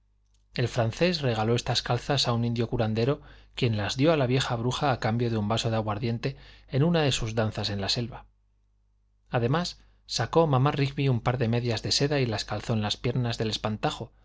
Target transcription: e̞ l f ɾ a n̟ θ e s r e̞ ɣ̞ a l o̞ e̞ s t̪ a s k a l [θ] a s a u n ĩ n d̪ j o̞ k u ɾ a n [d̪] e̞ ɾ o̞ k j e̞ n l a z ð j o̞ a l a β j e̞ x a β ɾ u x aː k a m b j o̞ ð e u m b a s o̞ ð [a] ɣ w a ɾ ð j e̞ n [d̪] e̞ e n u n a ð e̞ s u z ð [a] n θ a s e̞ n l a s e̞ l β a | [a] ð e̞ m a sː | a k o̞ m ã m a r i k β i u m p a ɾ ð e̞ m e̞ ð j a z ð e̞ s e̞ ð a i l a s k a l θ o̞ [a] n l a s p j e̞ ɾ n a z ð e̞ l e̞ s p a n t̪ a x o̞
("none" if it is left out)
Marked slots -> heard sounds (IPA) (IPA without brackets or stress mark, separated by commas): θ, d̪, a, t̪, a, a, e